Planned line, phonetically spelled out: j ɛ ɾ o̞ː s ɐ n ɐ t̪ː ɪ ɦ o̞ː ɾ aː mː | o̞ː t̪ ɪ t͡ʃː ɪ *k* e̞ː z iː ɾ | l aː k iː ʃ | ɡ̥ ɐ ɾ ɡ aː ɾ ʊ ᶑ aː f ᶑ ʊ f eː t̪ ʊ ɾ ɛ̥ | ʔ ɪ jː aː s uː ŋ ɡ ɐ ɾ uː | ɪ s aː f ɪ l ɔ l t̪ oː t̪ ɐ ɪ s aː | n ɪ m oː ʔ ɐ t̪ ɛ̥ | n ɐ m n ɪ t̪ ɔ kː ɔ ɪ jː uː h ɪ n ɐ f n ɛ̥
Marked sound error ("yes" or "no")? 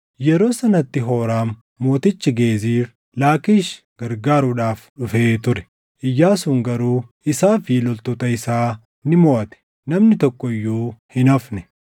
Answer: yes